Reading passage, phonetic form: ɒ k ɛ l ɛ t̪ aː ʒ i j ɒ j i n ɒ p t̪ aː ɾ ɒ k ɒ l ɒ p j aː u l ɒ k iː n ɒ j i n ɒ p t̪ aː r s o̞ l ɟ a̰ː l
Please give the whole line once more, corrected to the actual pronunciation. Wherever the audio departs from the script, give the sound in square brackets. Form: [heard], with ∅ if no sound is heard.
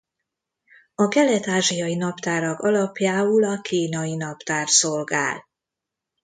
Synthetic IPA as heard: ɒ k ɛ l ɛ t̪ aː ʒ i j ɒ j i n ɒ p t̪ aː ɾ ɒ k ɒ l ɒ p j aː u l ɒ k iː n ɒ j i n ɒ p t̪ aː r s o̞ l [ɡ] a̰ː l